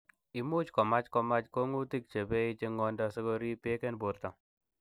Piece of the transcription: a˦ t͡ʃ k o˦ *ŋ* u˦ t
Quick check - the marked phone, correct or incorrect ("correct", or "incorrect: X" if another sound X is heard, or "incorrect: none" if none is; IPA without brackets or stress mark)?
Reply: correct